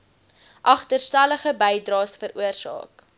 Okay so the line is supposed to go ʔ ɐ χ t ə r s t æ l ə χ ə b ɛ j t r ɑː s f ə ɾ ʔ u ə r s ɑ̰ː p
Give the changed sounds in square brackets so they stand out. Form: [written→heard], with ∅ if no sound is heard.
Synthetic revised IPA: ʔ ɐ χ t ə r s t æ l ə χ ə b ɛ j [t→d] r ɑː s f ə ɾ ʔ u ə r s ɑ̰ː [p→k]